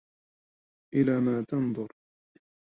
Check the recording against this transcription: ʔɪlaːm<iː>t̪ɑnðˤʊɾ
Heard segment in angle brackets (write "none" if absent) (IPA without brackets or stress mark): aː